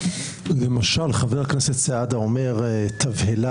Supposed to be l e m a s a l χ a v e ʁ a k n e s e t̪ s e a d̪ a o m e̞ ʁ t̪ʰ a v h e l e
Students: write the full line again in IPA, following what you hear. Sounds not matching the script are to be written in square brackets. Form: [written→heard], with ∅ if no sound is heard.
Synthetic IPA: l e m a [s→ʃ] a l χ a v e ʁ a k n e s e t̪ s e a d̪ a o m e̞ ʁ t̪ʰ a v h e l [e→a]